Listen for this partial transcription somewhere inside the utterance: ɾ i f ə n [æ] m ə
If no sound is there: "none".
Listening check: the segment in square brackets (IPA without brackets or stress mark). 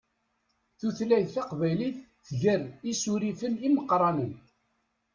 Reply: i